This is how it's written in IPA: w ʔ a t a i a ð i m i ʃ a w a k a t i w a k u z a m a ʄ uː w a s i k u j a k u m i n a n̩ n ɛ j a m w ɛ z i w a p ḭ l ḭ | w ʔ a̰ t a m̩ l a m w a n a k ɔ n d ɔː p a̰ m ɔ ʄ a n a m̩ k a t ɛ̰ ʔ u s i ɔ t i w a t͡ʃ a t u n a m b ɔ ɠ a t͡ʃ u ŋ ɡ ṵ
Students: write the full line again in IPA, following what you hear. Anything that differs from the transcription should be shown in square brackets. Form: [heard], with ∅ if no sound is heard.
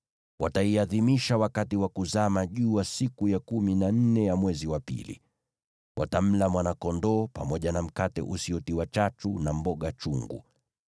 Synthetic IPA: w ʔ a t a i a ð i m i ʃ a w a k a t i w a k u z a m a ʄ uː w a s i k u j a k u m i n a n̩ n ɛ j a m w ɛ z i w a p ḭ l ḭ | w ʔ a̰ t a m̩ l a m w a n a k ɔ n d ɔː p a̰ m ɔ ʄ a n a m̩ k a t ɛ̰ ʔ u s i ɔ t i w a t͡ʃ a t u n a m b ɔ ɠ a t͡ʃ u ŋ ɡ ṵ